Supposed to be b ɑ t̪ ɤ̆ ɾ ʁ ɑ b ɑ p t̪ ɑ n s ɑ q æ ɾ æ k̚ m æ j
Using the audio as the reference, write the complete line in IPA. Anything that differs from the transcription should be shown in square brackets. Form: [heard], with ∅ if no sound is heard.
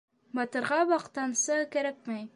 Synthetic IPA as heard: b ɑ t̪ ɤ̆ ɾ ʁ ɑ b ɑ [q] t̪ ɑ n s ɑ [k] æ ɾ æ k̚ m æ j

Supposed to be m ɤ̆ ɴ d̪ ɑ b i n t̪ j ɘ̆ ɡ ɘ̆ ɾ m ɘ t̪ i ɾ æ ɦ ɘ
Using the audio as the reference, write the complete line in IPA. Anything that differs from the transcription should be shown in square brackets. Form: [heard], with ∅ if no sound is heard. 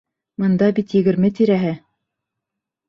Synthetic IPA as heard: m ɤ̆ [n] d̪ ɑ b i [∅] t̪ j ɘ̆ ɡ ɘ̆ ɾ m ɘ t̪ i ɾ æ ɦ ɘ

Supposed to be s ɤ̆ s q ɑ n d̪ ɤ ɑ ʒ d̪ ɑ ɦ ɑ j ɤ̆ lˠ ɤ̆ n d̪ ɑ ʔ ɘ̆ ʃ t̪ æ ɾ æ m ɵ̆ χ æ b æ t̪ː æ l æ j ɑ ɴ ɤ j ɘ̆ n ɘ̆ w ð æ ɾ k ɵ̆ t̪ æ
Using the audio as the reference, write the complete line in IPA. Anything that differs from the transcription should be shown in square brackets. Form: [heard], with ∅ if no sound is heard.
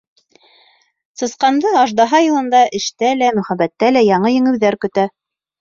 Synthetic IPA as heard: s ɤ̆ s q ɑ n d̪ ɤ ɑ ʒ d̪ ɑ ɦ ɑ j ɤ̆ lˠ ɤ̆ n d̪ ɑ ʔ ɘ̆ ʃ t̪ æ [l] æ m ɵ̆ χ æ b æ t̪ː æ l æ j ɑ ɴ ɤ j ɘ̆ [ŋ] ɘ̆ w ð æ ɾ k ɵ̆ t̪ æ

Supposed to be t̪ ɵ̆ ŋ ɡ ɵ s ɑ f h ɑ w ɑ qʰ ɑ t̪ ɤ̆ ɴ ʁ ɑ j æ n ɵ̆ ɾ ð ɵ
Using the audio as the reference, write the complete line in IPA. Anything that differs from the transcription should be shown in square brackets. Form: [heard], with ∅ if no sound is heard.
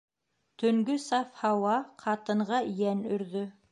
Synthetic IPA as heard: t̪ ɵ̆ ŋ ɡ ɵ s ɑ f h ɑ w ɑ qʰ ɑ t̪ ɤ̆ ɴ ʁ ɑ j æ n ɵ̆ ɾ ð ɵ

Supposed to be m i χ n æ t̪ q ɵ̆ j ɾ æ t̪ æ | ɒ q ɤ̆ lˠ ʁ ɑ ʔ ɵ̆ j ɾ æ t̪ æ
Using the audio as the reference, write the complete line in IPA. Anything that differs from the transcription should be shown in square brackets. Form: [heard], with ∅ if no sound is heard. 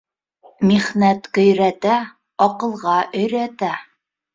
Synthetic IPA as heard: m i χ n æ t̪ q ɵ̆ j ɾ æ t̪ æ | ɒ q ɤ̆ lˠ ʁ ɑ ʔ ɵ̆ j ɾ æ t̪ æ

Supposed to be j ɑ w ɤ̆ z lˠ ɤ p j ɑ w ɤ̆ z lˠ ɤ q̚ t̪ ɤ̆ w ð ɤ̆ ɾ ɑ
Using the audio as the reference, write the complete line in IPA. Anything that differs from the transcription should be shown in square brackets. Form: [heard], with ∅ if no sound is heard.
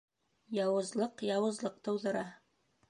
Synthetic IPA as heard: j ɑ w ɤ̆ z lˠ ɤ [q] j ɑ w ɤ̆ z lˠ ɤ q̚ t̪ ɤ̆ w ð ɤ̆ ɾ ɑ

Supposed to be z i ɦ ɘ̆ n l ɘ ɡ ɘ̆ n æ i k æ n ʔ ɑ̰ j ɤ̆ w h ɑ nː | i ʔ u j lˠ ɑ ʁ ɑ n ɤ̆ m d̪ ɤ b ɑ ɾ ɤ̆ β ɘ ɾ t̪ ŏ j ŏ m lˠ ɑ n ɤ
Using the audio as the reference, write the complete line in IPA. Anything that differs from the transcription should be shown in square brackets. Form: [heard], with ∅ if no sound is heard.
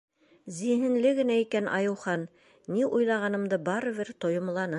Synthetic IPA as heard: z i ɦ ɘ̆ n l ɘ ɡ ɘ̆ n æ i k æ n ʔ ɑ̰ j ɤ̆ w [χ] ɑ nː | i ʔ u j lˠ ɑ ʁ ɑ n ɤ̆ m d̪ ɤ b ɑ ɾ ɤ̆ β ɘ ɾ t̪ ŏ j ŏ m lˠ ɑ n ɤ

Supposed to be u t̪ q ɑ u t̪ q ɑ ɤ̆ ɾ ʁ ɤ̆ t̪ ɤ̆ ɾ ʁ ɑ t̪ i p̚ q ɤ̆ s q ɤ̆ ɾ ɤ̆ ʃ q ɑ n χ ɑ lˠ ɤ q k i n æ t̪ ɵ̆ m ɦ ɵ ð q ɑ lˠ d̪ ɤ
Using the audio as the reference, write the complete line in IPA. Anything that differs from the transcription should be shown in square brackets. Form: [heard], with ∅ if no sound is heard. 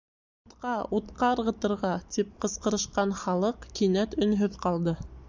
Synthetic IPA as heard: u t̪ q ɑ u t̪ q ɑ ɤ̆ ɾ ʁ ɤ̆ t̪ ɤ̆ ɾ ʁ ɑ t̪ i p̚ q ɤ̆ s q ɤ̆ ɾ ɤ̆ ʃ q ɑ n χ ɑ lˠ ɤ q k i n æ t̪ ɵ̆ [n] ɦ ɵ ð q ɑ lˠ d̪ ɤ

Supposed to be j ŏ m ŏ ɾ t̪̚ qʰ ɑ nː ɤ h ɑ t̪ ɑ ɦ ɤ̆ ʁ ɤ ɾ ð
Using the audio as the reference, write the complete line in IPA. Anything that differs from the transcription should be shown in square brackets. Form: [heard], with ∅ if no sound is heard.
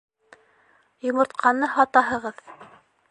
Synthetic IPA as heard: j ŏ m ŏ ɾ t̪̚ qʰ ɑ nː ɤ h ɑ t̪ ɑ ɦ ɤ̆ ʁ ɤ [∅] ð

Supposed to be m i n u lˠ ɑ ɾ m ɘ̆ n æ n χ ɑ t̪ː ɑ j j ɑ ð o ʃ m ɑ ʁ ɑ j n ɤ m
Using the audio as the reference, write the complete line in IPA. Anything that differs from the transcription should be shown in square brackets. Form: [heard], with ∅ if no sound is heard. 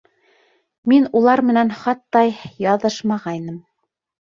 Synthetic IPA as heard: m i n u lˠ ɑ ɾ m ɘ̆ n æ n χ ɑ t̪ː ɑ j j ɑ ð [ɤ] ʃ m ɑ ʁ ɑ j n ɤ m

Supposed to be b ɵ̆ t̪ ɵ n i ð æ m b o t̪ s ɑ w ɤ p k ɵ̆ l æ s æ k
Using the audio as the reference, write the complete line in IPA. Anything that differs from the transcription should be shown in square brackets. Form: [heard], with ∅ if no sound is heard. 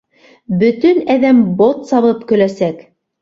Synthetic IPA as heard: b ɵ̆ t̪ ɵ n [æ] ð æ m b o t̪ s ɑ [β] ɤ p k ɵ̆ l æ s æ k

